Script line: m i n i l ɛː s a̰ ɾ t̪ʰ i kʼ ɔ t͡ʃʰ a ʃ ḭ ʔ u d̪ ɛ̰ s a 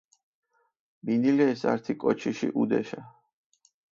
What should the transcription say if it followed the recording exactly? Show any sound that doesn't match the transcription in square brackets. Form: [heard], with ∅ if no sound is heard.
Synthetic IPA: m i n i l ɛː s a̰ ɾ t̪ʰ i kʼ ɔ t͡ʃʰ [i] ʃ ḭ ʔ u d̪ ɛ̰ [ʃ] a